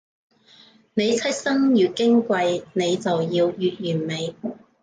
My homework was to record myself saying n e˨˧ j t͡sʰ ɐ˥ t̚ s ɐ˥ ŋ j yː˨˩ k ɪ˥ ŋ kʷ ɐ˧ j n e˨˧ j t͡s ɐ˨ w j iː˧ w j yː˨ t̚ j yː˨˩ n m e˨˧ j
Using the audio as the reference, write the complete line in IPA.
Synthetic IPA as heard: n e˨˧ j t͡sʰ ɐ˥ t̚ s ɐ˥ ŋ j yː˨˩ k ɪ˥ ŋ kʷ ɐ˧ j n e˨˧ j t͡s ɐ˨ w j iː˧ w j yː˨ t̚ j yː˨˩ n m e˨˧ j

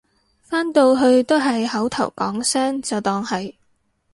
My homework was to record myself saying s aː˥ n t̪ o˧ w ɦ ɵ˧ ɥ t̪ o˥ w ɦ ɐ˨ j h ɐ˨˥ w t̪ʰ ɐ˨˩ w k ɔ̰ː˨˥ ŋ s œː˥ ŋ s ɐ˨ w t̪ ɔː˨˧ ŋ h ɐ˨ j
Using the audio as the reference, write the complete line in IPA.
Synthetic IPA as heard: f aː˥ n t̪ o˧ w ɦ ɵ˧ ɥ t̪ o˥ w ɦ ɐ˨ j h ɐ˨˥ w t̪ʰ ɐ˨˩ w k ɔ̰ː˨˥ ŋ s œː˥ ŋ t͡s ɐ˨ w t̪ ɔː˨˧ ŋ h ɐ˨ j

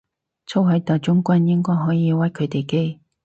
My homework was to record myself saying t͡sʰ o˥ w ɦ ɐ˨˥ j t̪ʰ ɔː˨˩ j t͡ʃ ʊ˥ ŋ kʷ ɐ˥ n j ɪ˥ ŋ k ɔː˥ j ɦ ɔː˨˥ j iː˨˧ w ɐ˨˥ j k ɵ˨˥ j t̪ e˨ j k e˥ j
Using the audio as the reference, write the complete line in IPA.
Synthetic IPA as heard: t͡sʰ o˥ w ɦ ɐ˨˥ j t̪ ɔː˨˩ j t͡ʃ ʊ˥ ŋ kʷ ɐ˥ n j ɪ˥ ŋ k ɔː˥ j ɦ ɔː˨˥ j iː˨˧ w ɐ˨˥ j kʰ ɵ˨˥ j t̪ e˨ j k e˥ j

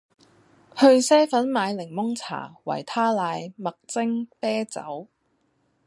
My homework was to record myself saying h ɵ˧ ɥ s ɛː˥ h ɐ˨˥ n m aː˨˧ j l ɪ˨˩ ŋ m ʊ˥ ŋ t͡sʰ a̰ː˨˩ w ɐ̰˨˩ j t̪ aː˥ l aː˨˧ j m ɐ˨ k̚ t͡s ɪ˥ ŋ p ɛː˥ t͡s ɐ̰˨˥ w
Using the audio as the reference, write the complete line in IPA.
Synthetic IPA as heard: h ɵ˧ ɥ s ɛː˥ f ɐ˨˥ n m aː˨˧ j l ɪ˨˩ ŋ m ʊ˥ ŋ t͡sʰ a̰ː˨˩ w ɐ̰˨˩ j t̪ʰ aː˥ l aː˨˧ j m ɐ˨ k̚ t͡s ɪ˥ ŋ p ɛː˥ t͡s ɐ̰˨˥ w

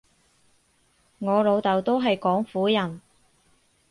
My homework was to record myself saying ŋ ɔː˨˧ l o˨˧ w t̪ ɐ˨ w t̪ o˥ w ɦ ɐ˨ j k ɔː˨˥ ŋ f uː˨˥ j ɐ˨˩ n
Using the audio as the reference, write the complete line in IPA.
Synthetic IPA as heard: ŋ ɔː˨˧ l o˨˧ w t̪ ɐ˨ w t̪ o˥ w ɦ ɐ˨ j k ɔː˨˥ ŋ f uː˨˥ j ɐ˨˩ n

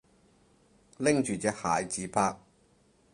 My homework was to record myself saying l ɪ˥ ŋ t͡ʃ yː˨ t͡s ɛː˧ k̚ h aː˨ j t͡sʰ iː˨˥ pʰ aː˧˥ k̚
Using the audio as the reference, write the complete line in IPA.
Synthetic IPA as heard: l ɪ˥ ŋ t͡ʃ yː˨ t͡s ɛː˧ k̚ h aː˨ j t͡s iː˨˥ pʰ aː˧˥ k̚

